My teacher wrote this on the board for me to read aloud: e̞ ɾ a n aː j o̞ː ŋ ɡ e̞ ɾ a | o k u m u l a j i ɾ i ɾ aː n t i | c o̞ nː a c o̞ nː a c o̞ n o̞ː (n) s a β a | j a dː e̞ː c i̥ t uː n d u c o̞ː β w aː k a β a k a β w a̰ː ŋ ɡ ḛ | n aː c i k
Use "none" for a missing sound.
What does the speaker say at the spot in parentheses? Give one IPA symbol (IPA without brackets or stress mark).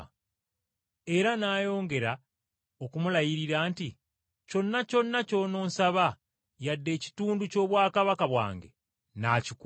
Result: n